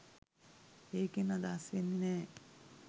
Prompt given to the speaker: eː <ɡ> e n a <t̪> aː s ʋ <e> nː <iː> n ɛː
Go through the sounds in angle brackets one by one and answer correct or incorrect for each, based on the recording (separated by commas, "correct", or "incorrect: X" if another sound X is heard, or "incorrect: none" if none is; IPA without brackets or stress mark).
incorrect: k, incorrect: d̪, correct, incorrect: i